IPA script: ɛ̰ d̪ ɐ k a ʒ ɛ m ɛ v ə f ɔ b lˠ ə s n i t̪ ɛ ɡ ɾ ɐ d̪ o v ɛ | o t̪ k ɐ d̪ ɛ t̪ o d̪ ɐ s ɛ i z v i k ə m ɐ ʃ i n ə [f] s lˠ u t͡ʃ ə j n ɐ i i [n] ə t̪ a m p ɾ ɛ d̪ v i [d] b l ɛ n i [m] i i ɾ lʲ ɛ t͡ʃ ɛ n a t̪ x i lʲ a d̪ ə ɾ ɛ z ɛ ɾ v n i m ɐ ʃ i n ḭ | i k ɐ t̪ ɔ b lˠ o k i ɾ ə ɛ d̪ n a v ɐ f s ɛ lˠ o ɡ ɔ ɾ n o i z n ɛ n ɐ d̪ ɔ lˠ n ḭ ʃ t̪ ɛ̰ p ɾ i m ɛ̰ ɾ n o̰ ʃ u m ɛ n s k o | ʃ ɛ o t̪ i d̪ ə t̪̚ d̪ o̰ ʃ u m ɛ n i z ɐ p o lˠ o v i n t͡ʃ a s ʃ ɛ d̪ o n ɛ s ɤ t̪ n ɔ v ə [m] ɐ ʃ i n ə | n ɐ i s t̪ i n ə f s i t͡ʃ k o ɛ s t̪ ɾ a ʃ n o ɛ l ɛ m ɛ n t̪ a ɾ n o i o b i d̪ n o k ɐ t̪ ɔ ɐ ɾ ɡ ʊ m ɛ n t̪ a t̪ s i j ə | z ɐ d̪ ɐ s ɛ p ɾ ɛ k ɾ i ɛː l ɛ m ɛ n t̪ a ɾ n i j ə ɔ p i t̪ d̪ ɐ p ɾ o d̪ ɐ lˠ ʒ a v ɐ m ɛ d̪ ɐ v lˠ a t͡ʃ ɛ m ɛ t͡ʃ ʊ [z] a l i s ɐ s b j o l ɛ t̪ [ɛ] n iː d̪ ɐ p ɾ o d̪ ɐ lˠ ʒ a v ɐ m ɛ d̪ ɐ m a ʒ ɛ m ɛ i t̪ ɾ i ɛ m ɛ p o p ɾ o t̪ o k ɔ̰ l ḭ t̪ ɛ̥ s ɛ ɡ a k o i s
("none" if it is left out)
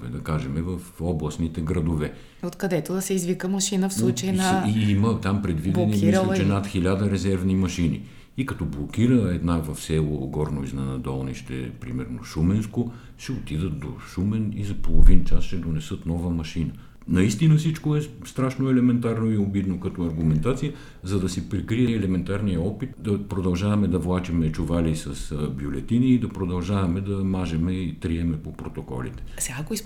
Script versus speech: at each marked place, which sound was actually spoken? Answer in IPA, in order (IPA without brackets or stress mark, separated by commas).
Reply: f, m, d, m, m, v, i